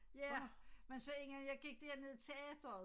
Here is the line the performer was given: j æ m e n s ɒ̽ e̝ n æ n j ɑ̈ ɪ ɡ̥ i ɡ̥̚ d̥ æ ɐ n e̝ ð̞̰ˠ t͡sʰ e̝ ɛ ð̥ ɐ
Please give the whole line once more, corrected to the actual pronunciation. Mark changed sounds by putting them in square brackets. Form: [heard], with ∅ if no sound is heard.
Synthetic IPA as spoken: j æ m e n s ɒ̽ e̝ [ŋ] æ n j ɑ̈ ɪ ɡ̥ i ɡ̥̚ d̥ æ ɐ n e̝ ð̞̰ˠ t͡sʰ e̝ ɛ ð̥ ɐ